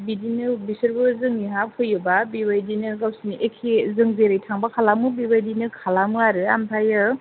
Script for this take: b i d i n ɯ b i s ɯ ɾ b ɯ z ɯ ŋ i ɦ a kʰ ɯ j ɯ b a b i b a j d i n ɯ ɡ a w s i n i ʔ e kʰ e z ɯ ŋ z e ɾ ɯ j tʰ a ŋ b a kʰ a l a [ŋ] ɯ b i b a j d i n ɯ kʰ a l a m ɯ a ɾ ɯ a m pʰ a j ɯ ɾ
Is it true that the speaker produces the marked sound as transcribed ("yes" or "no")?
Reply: no